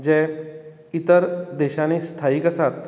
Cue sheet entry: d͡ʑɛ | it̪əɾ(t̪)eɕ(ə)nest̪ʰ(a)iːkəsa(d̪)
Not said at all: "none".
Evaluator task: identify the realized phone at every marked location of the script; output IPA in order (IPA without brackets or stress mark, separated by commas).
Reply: d̪, a, a, t̪